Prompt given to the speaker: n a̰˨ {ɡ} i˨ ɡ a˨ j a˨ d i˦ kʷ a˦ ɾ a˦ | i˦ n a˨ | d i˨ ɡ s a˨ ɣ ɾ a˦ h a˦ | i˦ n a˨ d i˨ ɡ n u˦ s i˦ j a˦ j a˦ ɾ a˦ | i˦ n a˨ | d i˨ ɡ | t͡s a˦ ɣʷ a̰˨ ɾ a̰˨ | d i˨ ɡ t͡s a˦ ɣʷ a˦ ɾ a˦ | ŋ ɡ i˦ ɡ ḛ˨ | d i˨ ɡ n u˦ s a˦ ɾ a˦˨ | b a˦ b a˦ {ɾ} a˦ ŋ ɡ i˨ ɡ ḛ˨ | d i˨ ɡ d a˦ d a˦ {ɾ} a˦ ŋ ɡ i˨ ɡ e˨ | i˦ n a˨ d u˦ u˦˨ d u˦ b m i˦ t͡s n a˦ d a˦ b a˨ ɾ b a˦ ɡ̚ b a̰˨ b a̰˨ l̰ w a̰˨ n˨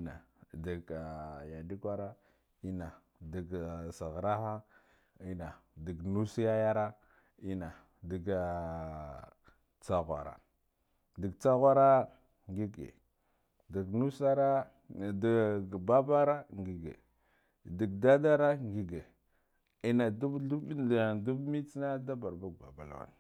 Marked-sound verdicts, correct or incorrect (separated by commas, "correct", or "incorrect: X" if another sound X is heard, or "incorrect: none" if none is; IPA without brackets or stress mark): incorrect: d, correct, correct